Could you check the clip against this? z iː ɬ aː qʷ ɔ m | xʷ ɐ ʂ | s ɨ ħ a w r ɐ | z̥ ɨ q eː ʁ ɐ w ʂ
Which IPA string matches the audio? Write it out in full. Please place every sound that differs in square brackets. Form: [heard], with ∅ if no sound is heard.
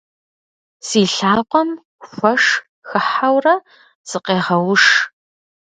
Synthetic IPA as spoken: [s] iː ɬ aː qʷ ɔ m | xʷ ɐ ʂ | [x] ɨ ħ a w r ɐ | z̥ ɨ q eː ʁ ɐ w ʂ